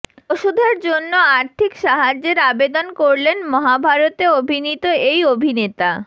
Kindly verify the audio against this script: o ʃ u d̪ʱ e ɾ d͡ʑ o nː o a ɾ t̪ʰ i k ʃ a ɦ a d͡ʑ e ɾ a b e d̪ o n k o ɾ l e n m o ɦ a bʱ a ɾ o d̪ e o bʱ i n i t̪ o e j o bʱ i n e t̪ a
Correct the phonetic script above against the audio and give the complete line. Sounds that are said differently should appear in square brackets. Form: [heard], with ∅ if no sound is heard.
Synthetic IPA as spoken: o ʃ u d̪ʱ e ɾ d͡ʑ o nː o a ɾ t̪ʰ i k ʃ a ɦ a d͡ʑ e ɾ a b e d̪ o n k o ɾ l e n m [ɔ] ɦ a bʱ a ɾ o [t̪] e o bʱ i n i t̪ o e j o bʱ i n e t̪ a